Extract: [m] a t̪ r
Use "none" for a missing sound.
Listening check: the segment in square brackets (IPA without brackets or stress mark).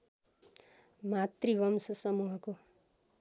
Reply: m